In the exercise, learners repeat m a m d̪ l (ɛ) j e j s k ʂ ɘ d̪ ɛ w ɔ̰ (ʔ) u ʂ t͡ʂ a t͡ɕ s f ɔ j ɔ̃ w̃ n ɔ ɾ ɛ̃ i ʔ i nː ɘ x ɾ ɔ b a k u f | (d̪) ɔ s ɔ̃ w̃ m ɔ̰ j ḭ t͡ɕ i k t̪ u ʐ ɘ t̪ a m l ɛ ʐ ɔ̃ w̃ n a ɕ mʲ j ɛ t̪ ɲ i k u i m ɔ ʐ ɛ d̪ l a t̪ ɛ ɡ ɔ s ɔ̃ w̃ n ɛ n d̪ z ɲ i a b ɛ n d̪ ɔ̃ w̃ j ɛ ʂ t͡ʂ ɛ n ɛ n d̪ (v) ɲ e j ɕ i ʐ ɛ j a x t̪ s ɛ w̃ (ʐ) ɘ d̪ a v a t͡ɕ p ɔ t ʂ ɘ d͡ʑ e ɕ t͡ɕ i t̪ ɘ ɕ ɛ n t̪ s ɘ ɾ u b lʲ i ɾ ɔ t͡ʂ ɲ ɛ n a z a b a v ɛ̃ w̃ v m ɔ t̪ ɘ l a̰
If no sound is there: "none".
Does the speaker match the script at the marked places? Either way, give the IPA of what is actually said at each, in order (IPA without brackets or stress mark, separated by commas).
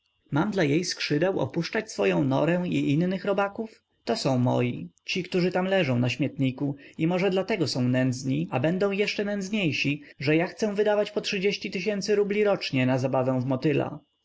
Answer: a, p, t̪, z, v